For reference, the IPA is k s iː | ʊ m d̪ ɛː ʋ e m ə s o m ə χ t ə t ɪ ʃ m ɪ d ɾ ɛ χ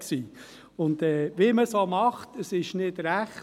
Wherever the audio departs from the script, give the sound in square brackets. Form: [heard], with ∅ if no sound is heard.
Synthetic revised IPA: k s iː | ʊ [n] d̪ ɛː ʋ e m ə s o m [ɑ] χ t ə [s] ɪ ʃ [n] ɪ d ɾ [æ] χ

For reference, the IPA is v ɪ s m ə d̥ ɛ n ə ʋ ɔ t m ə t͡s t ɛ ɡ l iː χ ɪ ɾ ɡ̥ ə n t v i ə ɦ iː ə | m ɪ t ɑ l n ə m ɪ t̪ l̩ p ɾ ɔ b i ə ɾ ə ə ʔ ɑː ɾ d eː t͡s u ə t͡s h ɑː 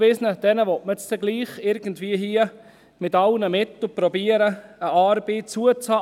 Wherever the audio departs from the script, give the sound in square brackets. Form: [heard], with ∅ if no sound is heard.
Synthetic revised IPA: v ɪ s [n] ə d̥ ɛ n ə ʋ ɔ t m ə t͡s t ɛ ɡ l iː χ ɪ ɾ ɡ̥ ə n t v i ə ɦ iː ə | m ɪ t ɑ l n ə m ɪ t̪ l̩ p ɾ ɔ b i ə ɾ ə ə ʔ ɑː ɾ [b] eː t͡s u ə t͡s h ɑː

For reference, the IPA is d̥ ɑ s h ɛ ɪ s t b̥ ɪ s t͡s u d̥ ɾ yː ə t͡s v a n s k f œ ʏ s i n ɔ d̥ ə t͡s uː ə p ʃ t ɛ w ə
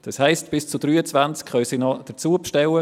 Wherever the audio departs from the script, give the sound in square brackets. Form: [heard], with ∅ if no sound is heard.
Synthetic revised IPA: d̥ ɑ s h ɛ ɪ s t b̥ ɪ s t͡s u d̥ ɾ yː ə t͡s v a n [t͡s] k [χ] œ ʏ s i n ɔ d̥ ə t͡s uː ə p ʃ t ɛ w ə

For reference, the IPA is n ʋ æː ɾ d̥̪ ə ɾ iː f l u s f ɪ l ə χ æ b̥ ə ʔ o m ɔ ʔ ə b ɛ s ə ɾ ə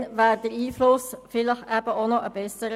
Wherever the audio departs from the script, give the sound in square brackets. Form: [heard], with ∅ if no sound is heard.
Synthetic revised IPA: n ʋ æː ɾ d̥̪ ə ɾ iː f l [ʊ] s f ɪ l ə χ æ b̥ ə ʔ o [n] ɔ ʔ ə b ɛ s ə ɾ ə

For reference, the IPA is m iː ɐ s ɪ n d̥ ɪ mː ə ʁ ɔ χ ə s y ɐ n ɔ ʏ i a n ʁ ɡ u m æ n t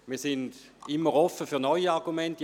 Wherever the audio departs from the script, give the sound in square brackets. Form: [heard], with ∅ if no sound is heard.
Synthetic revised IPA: m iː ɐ s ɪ n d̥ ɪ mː ə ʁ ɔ [f] ə [f] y ɐ n ɔ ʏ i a [∅] ʁ ɡ u m [ɛ] n t

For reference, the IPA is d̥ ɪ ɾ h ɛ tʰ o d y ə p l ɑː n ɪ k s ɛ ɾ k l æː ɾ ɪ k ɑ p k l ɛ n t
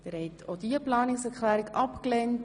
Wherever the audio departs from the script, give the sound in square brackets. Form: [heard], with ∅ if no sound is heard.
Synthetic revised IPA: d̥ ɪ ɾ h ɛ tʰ o d [i] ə p l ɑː n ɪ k s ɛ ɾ k l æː ɾ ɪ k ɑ p k l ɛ n t

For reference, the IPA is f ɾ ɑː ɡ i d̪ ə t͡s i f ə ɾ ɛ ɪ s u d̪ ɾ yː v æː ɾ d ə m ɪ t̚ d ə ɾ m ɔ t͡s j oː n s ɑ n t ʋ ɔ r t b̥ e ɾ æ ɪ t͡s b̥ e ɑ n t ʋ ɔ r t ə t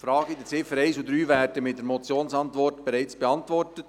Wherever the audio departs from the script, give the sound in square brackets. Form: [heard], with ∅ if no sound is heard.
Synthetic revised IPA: f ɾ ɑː ɡ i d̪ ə t͡s [ɪ] f ə ɾ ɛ ɪ s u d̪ ɾ yː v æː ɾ d ə m ɪ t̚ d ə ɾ m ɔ t͡s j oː n s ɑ n t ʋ ɔ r t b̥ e ɾ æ ɪ t͡s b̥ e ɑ n t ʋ ɔ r t ə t

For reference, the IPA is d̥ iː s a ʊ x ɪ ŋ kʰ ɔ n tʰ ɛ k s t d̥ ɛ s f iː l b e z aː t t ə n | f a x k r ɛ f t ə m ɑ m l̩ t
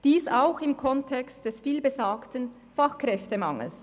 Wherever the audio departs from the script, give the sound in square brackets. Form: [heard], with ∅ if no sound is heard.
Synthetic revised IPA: d̥ iː s a ʊ x ɪ [m] kʰ ɔ n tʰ ɛ k s t d̥ ɛ s f iː l b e z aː [k] t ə n | f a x k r ɛ f t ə m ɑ [ŋ] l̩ [s]

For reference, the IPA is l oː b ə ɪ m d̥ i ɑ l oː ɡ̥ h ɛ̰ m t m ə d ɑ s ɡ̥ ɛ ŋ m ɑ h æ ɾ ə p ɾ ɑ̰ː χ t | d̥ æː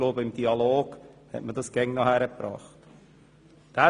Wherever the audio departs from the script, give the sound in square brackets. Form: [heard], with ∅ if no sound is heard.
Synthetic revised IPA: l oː b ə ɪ m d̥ i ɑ l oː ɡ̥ h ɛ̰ [∅] t m ə d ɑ s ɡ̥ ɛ ŋ [n] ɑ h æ ɾ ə p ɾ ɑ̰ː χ t | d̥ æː

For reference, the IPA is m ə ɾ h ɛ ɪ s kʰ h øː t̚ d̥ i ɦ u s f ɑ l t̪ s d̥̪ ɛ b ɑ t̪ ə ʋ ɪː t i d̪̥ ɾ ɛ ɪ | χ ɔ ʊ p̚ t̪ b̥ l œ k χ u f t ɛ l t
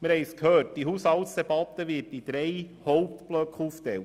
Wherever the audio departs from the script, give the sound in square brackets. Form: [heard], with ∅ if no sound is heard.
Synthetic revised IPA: m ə ɾ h ɛ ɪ s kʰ h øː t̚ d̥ i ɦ u s [h] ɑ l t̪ s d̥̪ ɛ b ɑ t̪ ə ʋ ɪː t i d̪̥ ɾ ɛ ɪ | [h] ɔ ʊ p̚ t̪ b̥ l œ k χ u f t ɛ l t

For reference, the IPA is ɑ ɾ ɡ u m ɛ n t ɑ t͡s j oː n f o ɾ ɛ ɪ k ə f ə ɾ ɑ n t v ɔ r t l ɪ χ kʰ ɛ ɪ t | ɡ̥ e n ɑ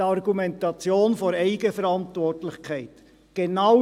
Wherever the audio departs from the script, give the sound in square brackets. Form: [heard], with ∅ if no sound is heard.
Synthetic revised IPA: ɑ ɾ ɡ u m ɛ n t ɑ t͡s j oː n f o ɾ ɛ ɪ [ɡ] ə f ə ɾ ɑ n t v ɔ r t l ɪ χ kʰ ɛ ɪ t | ɡ̥ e n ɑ

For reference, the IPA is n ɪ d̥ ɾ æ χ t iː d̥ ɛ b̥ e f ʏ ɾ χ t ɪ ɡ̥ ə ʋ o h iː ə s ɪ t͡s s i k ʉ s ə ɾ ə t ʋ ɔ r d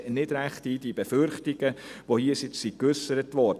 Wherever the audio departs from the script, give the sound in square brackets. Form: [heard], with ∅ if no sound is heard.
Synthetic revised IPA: n ɪ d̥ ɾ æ χ t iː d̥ [i] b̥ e f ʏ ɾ χ t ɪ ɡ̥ ə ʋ o h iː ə s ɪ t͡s s i k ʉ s ə ɾ ə t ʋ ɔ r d

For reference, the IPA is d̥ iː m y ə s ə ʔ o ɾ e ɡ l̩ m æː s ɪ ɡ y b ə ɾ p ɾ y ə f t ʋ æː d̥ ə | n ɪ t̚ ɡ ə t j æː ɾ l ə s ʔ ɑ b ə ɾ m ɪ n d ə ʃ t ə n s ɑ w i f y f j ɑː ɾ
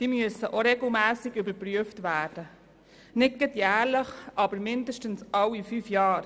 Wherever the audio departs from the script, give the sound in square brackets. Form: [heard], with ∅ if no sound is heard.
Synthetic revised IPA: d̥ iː m y ə s ə ʔ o ɾ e ɡ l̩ m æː s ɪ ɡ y b ə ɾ p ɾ y ə f t ʋ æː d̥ ə | n ɪ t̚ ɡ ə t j æː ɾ l ə [χ] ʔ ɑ b ə ɾ m ɪ n d ə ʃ t ə n s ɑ w i f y f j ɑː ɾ

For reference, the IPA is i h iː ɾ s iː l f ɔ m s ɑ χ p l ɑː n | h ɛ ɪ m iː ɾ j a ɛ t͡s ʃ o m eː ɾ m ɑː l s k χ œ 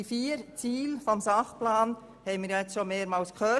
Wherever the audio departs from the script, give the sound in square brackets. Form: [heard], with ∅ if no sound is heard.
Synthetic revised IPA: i [f] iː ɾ [t͡s] iː l f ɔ m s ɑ χ p l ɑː n | h ɛ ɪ m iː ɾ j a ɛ t͡s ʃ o m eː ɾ m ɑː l s k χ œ

